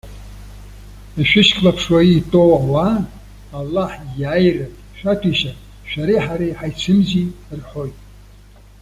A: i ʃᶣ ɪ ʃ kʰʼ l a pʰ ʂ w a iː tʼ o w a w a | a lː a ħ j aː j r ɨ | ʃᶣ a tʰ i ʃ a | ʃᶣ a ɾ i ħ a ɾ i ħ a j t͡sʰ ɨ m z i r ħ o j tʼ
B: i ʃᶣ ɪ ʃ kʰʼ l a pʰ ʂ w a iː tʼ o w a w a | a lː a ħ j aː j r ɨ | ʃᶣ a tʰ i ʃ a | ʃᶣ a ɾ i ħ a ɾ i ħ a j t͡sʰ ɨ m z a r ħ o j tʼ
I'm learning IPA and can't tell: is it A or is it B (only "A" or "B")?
A